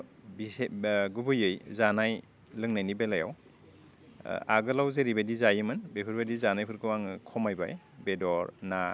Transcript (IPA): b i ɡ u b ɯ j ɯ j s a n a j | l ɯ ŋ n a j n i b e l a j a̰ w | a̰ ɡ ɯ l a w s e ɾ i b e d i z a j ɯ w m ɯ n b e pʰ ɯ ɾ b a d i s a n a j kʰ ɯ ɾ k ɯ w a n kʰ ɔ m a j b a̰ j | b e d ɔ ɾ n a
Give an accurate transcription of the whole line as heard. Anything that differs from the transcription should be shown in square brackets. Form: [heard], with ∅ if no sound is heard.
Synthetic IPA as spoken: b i ɡ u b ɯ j ɯ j [z] a n a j | l ɯ ŋ n a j n i b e l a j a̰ w | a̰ ɡ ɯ l a w [z] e ɾ i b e d i z a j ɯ [∅] m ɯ n b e pʰ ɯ ɾ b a d i [z] a n a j [pʰ] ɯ ɾ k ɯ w a [ŋ] kʰ ɔ m a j b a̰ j | b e d ɔ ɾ n a